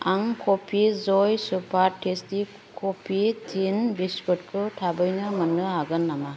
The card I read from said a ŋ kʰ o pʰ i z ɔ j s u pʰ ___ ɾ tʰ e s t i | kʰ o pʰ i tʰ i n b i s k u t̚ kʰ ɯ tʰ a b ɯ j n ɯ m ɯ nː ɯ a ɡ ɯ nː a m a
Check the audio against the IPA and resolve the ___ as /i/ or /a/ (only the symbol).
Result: a